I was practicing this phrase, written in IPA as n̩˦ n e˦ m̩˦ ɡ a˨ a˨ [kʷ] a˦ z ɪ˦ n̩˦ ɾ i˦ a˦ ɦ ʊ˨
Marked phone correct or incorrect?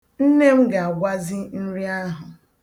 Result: incorrect: ɡʷ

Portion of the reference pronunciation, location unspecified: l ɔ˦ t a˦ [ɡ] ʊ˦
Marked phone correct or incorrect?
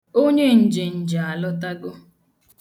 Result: correct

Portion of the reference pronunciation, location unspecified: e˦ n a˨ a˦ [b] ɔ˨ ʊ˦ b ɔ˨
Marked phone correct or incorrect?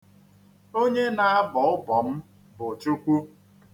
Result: correct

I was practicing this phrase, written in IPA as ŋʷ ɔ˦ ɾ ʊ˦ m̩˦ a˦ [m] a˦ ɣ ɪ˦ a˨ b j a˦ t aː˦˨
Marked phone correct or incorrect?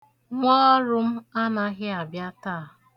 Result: incorrect: n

